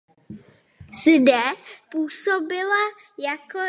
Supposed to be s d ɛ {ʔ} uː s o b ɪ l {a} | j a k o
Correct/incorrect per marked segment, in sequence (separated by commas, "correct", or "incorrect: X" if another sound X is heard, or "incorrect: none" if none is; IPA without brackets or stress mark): incorrect: p, correct